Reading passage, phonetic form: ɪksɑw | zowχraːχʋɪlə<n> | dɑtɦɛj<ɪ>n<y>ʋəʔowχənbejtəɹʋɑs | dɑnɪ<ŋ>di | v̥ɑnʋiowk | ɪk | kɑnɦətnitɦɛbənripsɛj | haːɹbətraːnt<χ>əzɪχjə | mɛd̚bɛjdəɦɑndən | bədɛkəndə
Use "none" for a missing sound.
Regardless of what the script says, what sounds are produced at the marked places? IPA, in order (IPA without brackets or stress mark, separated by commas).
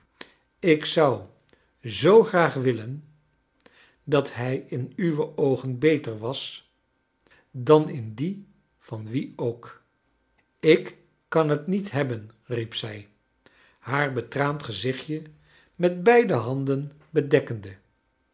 n, ɪ, y, n, χ